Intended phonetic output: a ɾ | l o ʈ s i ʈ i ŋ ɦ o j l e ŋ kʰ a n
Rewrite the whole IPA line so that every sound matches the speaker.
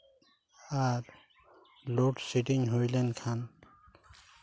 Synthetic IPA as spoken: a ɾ | l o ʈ s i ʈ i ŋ ɦ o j l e n kʰ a n